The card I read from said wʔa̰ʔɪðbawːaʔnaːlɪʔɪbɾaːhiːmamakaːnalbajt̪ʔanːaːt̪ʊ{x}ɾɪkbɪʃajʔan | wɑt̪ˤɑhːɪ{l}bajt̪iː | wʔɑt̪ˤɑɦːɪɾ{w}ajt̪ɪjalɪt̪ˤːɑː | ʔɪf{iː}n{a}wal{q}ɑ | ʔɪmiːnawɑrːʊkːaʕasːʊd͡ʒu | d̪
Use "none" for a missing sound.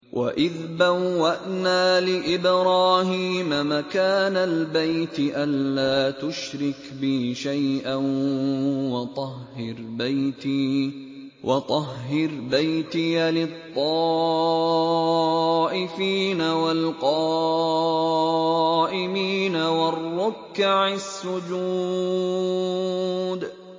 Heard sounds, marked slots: ʃ, ɾ, b, iː, a, q

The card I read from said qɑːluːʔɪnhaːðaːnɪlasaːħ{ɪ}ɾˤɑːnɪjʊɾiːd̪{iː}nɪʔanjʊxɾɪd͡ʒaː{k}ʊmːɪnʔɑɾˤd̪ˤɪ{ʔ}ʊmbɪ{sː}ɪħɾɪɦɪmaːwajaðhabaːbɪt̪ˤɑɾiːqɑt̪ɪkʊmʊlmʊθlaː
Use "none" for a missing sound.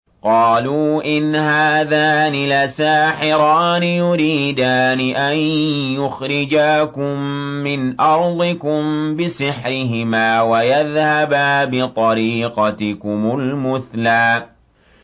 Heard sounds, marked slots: ɪ, aː, k, k, s

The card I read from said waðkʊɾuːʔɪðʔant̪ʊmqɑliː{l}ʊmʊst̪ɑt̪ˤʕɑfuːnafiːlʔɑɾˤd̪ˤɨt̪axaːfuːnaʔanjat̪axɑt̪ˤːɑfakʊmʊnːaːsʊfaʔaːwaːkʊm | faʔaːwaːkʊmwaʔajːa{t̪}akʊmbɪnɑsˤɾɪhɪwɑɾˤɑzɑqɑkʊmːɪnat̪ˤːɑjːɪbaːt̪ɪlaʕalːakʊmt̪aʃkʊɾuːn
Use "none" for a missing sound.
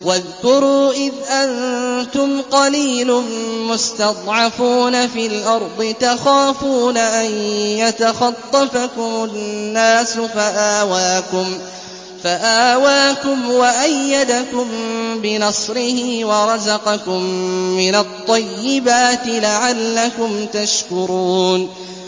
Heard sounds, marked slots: l, d̪

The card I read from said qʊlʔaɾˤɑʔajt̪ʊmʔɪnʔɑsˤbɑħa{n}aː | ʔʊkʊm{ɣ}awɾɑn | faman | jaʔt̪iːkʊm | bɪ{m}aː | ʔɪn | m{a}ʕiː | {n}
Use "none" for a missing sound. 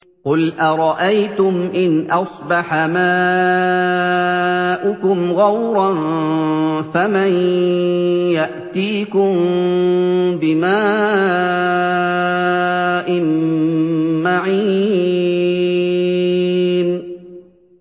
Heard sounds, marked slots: m, ɣ, m, a, n

